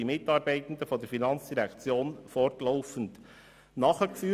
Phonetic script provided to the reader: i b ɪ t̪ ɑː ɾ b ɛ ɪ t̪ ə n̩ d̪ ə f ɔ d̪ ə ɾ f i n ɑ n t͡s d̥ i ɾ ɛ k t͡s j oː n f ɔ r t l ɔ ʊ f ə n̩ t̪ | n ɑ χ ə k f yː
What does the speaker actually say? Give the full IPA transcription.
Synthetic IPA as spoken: i m ɪ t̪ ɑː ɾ b ɛ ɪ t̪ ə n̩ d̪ ə f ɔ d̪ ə ɾ f i n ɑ n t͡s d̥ i ɾ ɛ k t͡s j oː n f ɔ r t l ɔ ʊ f ə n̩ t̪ | n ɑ χ ə k f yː